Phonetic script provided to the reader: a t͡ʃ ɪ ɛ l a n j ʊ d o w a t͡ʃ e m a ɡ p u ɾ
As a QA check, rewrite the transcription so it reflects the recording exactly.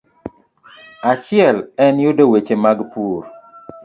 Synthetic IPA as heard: a t͡ʃ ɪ ɛ l ɛ n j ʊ d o w e t͡ʃ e m a ɡ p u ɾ